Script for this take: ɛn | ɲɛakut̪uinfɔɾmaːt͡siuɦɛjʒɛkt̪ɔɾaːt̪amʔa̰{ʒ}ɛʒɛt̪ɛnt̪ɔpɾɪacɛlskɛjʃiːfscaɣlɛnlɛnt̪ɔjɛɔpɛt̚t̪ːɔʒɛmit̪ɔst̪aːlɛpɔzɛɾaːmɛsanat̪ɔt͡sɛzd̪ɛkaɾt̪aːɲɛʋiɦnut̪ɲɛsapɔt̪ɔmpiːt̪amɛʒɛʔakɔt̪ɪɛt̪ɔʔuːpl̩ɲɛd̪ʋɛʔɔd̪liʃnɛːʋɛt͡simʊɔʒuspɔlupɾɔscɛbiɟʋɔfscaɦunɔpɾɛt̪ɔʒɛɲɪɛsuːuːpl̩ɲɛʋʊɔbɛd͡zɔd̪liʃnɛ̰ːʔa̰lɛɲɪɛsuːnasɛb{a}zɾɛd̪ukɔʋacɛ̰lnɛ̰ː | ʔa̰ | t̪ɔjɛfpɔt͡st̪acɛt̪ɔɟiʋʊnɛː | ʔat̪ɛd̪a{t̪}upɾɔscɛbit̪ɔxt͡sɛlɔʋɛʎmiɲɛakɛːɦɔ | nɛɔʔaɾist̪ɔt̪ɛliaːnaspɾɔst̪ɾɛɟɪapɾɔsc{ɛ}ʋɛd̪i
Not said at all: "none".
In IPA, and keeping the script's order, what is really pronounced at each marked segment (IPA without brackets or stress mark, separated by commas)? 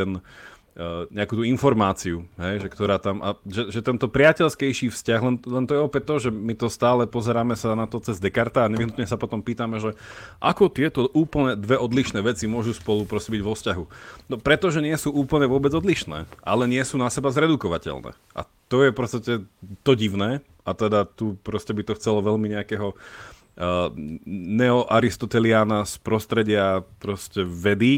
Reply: ʒ, a, t̪, ɛ